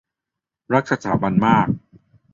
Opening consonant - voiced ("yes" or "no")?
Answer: yes